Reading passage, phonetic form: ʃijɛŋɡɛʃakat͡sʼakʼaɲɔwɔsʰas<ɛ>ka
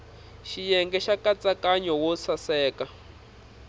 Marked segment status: incorrect: ɛː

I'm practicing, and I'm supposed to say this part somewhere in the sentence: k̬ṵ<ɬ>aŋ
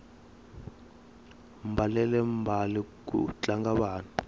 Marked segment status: incorrect: t͡ɬ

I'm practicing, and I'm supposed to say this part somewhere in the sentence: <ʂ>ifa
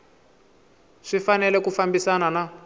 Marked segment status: correct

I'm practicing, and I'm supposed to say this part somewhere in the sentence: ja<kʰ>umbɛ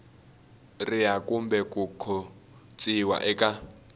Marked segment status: incorrect: k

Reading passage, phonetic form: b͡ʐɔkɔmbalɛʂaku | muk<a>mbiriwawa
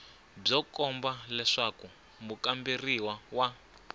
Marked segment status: correct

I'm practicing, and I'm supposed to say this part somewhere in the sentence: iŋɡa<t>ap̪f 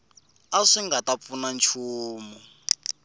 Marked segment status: correct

